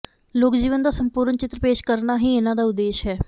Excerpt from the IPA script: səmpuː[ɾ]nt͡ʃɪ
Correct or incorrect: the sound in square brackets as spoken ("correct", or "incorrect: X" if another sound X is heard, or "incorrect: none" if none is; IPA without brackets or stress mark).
correct